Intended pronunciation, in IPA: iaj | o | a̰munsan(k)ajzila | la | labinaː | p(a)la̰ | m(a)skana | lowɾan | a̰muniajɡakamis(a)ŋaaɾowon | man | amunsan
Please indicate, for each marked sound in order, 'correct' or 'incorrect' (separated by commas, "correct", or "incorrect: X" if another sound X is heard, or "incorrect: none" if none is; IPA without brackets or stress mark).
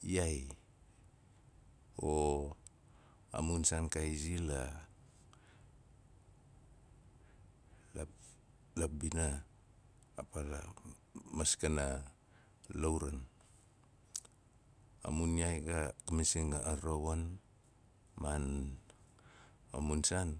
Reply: correct, correct, correct, incorrect: i